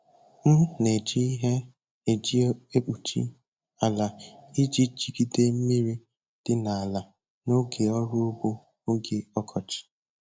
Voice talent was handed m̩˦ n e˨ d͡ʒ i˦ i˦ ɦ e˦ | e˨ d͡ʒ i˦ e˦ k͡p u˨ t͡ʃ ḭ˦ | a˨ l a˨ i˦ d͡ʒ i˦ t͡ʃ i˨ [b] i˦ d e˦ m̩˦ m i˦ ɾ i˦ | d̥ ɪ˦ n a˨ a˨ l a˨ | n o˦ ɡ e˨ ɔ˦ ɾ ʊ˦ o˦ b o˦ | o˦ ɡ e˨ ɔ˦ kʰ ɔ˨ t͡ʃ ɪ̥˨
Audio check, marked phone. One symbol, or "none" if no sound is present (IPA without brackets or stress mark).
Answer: ɡ